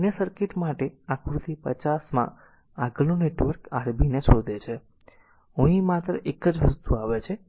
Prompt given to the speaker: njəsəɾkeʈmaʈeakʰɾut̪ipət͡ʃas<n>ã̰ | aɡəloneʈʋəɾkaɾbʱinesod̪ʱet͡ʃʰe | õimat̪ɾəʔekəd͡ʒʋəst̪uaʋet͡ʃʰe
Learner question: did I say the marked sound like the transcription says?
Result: no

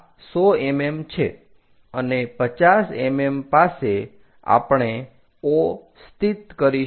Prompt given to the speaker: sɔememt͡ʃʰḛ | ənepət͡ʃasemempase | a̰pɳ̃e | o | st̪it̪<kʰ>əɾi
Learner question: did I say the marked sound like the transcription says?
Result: no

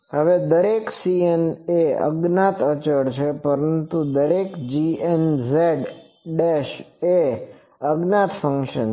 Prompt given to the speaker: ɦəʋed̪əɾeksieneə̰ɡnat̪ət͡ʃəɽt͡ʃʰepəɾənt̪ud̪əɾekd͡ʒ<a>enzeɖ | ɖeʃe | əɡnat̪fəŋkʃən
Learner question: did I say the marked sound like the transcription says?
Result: no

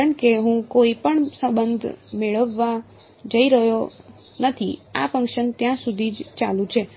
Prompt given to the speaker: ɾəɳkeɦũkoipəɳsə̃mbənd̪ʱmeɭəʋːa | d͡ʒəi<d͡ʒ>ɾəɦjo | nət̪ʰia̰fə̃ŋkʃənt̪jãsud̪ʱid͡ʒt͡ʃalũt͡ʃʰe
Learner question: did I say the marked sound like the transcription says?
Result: no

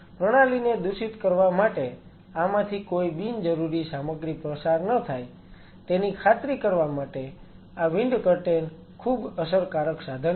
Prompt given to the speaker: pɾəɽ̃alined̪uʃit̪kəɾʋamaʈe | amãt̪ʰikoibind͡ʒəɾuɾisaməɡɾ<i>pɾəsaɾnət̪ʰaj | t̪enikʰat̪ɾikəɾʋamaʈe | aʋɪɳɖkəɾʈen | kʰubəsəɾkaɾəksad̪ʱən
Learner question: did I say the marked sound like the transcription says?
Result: yes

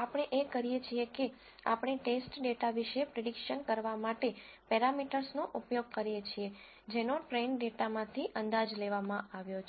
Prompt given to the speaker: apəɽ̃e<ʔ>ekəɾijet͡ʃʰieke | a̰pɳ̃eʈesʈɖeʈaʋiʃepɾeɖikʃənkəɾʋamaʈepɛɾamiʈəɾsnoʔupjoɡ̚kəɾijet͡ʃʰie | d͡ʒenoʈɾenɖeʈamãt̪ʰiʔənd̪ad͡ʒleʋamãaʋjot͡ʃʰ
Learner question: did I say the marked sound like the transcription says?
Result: yes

